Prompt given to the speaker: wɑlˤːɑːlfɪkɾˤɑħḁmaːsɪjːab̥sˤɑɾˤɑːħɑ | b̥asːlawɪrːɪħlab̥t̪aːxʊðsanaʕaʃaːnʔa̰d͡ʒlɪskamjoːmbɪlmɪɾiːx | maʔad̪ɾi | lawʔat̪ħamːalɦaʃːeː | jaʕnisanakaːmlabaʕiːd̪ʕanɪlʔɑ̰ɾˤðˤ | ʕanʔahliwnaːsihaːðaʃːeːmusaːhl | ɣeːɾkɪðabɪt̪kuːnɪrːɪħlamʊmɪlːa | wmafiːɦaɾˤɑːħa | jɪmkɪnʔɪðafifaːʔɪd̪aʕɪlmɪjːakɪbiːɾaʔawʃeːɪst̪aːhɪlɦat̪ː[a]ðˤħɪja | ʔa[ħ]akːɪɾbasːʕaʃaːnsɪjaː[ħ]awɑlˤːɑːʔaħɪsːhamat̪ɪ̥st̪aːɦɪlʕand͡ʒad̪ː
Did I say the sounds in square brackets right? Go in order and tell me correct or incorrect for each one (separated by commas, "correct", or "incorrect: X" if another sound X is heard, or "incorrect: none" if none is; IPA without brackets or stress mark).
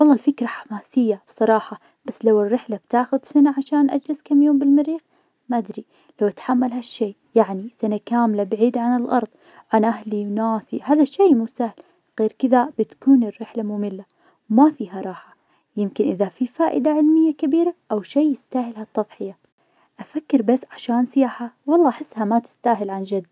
incorrect: ɑ, incorrect: f, correct